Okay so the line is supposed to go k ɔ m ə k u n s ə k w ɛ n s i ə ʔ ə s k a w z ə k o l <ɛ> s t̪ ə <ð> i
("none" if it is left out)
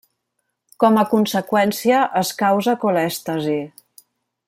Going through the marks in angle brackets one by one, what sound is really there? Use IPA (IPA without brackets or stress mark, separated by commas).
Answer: ɛ, z